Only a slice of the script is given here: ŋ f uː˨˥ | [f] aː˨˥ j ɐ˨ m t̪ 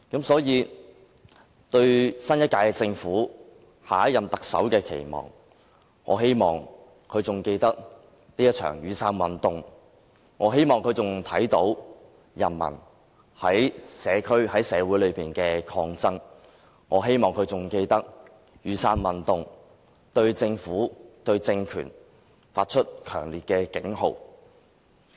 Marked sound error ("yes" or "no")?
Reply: yes